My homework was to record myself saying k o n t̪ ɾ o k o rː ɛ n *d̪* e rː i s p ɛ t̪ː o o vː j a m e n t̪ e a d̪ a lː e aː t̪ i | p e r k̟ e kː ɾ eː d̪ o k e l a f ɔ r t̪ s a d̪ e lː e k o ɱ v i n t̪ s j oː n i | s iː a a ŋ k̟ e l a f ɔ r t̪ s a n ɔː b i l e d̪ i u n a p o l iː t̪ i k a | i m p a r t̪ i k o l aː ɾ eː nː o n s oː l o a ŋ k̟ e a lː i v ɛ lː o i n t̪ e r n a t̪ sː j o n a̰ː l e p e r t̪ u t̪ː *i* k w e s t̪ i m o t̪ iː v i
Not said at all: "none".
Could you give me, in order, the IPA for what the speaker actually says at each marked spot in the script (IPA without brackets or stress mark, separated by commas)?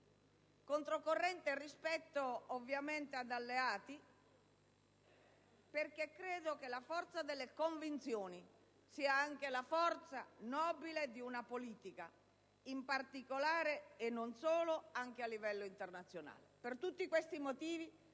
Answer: t̪, i